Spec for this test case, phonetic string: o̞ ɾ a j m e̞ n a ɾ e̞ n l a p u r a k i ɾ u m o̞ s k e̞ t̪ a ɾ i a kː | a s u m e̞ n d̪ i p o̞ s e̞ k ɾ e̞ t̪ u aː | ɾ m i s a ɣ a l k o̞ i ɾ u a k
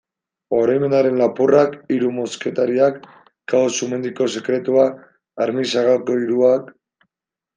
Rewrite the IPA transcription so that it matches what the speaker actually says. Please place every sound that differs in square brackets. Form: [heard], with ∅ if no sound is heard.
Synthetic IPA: o̞ ɾ a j m e̞ n a ɾ e̞ n l a p u r a k i ɾ u m o̞ s k e̞ t̪ a ɾ i a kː | a s u m e̞ n d̪ i [k] o̞ s e̞ k ɾ e̞ t̪ u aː | ɾ m i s a ɣ a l k o̞ i ɾ u a k